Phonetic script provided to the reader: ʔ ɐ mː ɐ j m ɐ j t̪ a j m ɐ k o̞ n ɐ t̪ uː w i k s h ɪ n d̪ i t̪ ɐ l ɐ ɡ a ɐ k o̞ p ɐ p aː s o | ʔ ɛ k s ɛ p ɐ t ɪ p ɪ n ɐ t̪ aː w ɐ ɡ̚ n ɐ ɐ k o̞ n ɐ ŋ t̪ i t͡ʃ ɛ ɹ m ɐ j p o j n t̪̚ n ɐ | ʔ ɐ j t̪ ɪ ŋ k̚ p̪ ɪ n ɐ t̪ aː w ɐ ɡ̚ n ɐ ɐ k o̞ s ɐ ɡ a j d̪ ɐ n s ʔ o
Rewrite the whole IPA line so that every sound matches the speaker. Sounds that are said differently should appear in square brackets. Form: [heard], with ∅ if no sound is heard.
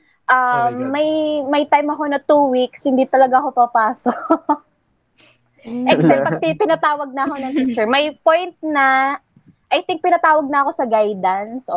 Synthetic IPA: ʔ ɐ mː ɐ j m ɐ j t̪ a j m ɐ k o̞ n ɐ t̪ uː w i k s h ɪ n d̪ i t̪ ɐ l ɐ ɡ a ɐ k o̞ p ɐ p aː s o | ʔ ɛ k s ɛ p ɐ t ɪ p ɪ n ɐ t̪ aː w ɐ ɡ̚ n ɐ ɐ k o̞ n ɐ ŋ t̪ i t͡ʃ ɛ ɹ m ɐ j p o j n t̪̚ n ɐ | ʔ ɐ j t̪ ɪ ŋ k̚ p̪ ɪ n ɐ t̪ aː w ɐ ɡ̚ n ɐ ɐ k o̞ s ɐ ɡ a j d̪ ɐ n s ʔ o